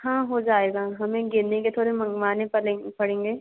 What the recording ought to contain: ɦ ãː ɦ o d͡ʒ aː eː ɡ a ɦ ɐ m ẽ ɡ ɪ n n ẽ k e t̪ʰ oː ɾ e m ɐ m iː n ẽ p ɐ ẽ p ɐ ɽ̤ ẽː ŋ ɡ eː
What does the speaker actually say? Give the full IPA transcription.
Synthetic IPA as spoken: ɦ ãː ɦ o d͡ʒ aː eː ɡ a ɦ ɐ m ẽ ɡ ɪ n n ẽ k e t̪ʰ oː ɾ e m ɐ m aː n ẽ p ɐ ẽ p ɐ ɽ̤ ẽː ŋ ɡ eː